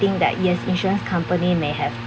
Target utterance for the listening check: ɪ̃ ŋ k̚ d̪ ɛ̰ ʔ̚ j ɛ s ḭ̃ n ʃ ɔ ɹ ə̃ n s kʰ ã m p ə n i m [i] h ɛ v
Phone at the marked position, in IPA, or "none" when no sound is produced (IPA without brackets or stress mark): e